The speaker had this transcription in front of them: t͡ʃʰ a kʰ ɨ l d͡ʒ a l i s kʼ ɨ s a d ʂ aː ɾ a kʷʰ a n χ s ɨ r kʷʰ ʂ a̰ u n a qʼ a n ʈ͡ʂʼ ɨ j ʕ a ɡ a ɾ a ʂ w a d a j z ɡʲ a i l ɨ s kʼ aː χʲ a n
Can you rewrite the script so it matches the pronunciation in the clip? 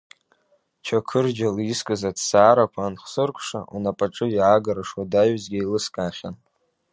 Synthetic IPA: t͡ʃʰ a kʰ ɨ r d͡ʒ a l i s kʼ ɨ z a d s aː ɾ a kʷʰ a n χ s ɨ r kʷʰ ʂ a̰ u n a pʼ a ʈ͡ʂʼ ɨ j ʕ a ɡ a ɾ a ʂ w a d a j z ɡʲ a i l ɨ s kʼ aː χʲ a n